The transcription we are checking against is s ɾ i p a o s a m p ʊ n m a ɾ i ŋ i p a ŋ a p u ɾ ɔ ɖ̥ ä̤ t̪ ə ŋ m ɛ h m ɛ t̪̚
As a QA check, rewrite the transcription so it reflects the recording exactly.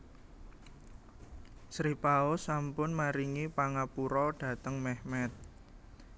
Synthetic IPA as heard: s ɾ i p a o s a m p ʊ n m a ɾ i ŋ i p a ŋ a p u ɾ ɔ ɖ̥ ä̤ t̪ ə ŋ m ɛ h m ɛ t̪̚